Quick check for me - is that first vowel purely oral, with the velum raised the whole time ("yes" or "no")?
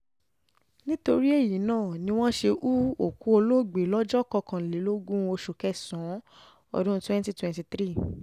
no